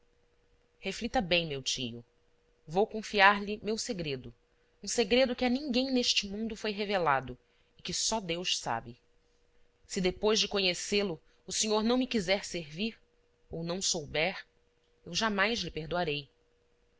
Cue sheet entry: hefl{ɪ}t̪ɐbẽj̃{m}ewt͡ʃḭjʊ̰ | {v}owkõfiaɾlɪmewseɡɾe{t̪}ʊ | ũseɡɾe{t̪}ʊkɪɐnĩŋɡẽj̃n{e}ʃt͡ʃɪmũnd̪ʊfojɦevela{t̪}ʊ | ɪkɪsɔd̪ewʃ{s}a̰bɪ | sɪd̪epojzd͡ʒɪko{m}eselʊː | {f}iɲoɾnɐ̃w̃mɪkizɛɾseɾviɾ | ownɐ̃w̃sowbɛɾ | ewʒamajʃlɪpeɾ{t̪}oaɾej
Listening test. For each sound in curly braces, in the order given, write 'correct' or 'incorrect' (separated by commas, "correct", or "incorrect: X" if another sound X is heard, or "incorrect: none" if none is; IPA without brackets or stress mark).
incorrect: i, correct, correct, incorrect: d̪, incorrect: d̪, correct, incorrect: d̪, correct, incorrect: ɲ, incorrect: s, incorrect: d̪